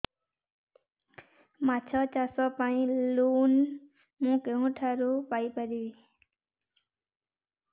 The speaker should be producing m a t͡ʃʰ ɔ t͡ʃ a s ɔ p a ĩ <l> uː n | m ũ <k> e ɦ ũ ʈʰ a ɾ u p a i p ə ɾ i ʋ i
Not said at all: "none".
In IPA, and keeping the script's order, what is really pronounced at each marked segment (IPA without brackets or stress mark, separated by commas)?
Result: l, k